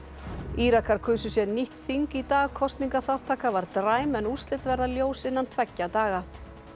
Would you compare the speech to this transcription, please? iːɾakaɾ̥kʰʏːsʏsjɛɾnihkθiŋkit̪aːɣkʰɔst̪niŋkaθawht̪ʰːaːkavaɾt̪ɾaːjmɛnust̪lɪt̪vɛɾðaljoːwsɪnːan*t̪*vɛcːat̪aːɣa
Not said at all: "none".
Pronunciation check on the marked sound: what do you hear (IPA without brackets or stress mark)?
t̪ʰ